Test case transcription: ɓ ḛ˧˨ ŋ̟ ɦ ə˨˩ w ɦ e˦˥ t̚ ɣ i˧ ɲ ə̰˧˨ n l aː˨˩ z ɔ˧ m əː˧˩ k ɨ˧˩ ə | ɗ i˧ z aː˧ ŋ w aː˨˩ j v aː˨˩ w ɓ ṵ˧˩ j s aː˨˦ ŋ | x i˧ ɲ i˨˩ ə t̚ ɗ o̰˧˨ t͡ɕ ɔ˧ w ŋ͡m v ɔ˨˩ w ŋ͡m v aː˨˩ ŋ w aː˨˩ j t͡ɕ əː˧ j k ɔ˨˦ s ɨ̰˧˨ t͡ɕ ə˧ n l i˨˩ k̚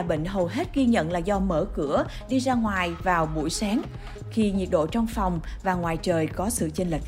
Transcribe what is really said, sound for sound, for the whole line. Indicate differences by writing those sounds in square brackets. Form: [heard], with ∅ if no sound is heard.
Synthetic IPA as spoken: ɓ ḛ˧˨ ŋ̟ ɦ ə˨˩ w ɦ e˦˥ t̚ ɣ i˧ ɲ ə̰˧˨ n l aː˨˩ z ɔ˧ m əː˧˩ k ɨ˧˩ ə | ɗ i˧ z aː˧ ŋ w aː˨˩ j v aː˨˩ w ɓ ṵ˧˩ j s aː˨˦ ŋ | x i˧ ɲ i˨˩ ə t̚ ɗ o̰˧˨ t͡ɕ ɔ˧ w ŋ͡m [f] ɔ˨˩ w ŋ͡m v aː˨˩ ŋ w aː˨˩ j t͡ɕ [əː˨˩] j k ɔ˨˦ s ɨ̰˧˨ t͡ɕ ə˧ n l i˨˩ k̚